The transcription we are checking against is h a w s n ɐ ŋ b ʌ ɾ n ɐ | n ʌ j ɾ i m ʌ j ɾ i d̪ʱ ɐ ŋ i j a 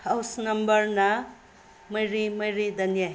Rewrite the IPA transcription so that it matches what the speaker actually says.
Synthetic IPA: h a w s n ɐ m b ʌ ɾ n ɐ | m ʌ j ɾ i m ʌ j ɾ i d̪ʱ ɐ n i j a